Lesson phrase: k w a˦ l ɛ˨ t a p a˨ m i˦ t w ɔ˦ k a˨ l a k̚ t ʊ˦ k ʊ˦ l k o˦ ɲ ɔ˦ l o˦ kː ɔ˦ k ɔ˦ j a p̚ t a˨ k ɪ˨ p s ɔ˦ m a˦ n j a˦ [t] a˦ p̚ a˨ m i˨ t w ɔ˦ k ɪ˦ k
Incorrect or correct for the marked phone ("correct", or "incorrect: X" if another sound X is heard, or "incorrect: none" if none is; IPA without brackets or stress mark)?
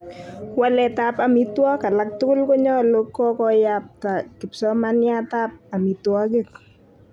correct